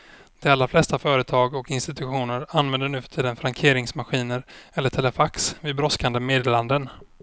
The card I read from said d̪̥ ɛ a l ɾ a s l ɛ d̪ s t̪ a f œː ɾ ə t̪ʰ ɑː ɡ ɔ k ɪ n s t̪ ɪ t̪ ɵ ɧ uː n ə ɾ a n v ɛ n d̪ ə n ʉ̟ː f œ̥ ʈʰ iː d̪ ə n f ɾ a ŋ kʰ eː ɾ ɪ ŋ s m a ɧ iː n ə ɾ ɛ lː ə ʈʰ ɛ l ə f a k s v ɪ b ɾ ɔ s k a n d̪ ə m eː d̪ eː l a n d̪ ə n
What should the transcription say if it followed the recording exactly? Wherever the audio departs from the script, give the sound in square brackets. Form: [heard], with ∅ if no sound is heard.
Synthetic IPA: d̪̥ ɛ a l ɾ a [f] l ɛ [∅] s t̪ a f œː ɾ ə t̪ʰ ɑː ɡ ɔ k ɪ n s t̪ ɪ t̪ ɵ ɧ uː n ə ɾ a n v ɛ n d̪ ə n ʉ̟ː f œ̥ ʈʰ iː d̪ ə n f ɾ a ŋ kʰ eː ɾ ɪ ŋ s m a ɧ iː n ə ɾ ɛ lː ə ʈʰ ɛ l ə f a k s v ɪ b ɾ ɔ s k a n d̪ ə m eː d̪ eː l a n d̪ ə n